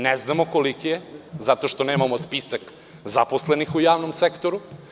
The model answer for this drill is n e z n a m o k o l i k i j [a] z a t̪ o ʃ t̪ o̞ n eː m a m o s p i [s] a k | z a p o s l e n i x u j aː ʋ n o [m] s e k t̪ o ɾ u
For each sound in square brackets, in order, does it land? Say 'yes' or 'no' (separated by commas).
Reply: no, yes, yes